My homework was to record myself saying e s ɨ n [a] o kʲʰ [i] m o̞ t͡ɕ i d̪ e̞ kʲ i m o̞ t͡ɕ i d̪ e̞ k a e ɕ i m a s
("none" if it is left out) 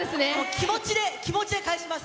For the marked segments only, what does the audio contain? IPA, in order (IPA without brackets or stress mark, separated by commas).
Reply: e, i